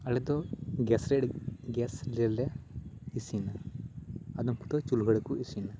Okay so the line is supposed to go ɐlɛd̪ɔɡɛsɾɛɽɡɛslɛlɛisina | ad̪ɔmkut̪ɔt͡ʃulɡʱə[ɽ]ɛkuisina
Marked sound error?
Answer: no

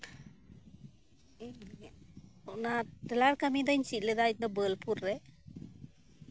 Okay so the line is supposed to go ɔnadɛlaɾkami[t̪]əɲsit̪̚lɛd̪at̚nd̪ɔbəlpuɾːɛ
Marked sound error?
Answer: yes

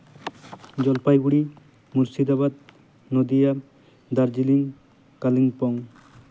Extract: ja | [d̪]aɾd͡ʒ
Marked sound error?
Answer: no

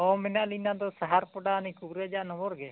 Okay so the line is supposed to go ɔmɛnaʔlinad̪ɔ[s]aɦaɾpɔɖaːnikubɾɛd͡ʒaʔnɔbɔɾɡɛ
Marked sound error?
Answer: no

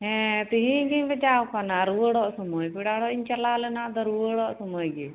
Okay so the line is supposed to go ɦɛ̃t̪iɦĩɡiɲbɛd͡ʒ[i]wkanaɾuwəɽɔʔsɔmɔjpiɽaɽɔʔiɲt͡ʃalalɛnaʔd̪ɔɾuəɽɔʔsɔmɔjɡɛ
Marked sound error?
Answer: yes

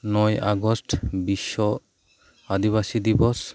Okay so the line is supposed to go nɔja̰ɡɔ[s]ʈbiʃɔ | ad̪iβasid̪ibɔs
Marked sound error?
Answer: no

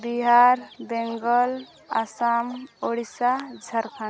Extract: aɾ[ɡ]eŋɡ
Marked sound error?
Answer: yes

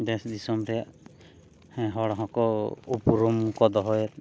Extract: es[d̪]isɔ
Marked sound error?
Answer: no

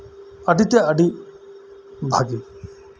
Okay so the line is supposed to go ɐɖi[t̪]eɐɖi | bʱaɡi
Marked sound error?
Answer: no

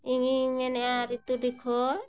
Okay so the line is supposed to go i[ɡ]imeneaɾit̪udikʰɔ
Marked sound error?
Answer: yes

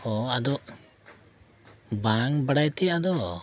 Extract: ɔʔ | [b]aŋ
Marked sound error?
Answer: no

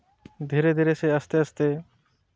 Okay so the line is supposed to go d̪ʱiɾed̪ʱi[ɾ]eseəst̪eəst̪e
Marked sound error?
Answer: no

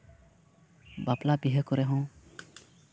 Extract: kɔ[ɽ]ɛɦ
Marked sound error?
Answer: yes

